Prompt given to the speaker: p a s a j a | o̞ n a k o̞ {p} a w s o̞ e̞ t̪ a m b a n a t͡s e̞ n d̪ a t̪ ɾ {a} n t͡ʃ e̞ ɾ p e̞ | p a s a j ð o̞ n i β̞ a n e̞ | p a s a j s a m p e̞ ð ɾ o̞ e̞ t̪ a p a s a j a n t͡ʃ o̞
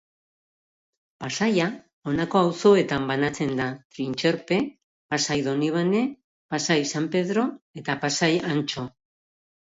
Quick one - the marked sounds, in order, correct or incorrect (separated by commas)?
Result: incorrect, incorrect